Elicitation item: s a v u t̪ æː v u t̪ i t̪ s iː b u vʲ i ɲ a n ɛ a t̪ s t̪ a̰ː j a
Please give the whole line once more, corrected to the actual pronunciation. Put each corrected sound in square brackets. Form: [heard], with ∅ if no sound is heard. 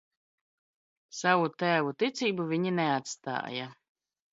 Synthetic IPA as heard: s a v u t̪ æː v u t̪ i t̪ s iː b u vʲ i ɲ [i] n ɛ a t̪ s t̪ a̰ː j a